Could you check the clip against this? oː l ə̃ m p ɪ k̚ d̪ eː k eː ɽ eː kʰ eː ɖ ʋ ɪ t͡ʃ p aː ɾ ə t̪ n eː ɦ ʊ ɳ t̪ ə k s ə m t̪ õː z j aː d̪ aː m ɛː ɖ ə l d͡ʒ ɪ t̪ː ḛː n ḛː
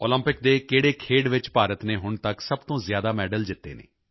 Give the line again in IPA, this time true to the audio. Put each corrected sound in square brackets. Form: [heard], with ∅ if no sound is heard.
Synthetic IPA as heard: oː l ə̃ m p ɪ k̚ d̪ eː k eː ɽ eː kʰ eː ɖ ʋ ɪ t͡ʃ p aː ɾ ə t̪ n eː ɦ ʊ ɳ t̪ ə k s ə [b] t̪ õː z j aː d̪ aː m ɛː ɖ ə l d͡ʒ ɪ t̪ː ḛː n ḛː

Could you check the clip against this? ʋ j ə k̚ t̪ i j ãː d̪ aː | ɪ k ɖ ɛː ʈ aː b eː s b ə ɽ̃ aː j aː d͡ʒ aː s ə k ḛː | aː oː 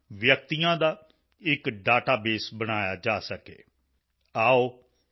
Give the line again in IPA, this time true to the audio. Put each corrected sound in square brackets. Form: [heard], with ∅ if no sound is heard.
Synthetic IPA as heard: ʋ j ə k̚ t̪ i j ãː d̪ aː | ɪ k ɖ [aː] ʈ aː b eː s b ə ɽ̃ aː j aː d͡ʒ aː s ə k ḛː | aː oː

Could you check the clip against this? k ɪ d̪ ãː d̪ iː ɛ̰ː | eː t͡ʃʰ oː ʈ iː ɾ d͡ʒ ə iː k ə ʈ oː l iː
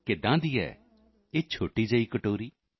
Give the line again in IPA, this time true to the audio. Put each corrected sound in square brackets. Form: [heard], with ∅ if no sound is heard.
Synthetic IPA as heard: k ɪ d̪ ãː d̪ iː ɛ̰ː | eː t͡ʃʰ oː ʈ iː [∅] d͡ʒ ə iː k ə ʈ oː [ɾ] iː

